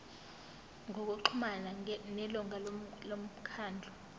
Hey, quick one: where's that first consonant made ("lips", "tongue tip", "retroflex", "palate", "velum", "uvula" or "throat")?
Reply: velum